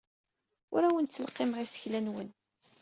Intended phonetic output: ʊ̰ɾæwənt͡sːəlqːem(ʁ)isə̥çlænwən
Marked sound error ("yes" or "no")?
no